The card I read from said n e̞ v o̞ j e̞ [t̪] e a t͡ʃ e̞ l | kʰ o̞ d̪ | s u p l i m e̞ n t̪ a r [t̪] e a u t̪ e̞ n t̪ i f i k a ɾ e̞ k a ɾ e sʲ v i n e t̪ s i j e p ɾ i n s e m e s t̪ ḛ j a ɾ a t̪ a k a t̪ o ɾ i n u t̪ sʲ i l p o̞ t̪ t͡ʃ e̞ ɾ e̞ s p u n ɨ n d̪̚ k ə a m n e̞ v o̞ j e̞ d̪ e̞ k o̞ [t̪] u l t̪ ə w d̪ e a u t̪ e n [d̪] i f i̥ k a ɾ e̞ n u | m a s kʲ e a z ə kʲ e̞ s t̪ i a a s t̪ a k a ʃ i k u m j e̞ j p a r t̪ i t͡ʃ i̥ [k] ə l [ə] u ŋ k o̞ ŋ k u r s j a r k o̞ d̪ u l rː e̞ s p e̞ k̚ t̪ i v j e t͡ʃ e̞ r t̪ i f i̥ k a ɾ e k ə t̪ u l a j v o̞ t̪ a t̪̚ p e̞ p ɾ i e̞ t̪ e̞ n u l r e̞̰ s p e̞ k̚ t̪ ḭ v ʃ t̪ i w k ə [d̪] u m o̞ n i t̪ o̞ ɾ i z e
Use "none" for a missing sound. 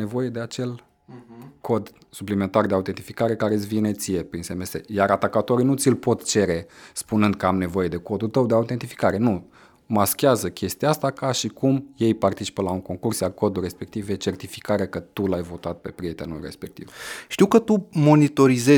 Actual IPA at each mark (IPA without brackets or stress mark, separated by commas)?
d̪, d̪, d̪, t̪, p, a, t̪